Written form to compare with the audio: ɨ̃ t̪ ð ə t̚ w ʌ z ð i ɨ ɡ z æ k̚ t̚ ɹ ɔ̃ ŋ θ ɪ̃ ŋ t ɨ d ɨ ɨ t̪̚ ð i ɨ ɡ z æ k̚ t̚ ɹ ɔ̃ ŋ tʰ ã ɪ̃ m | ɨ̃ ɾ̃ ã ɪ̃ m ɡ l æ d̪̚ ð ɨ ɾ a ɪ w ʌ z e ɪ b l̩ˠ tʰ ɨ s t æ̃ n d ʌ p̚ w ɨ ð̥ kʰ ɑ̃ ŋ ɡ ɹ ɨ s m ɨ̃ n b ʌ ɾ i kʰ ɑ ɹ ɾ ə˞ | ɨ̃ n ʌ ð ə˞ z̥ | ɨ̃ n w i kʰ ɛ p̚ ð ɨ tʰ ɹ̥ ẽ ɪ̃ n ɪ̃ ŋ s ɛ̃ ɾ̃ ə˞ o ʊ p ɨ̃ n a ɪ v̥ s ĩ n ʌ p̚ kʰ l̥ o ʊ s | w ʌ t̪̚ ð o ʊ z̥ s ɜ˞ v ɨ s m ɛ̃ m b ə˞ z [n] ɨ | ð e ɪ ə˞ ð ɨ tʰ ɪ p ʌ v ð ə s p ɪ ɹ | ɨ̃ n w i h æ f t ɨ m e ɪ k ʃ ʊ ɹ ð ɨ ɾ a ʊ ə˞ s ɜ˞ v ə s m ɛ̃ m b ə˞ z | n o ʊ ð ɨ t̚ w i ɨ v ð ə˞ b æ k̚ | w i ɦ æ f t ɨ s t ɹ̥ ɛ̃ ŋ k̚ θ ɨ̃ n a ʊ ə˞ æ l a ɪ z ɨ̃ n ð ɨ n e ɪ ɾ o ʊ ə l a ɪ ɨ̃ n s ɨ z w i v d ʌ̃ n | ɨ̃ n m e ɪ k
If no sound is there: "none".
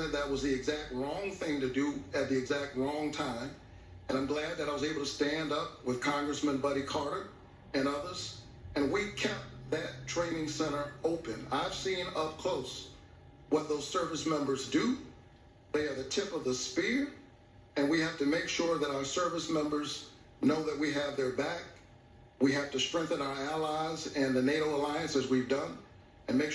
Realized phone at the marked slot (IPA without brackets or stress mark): d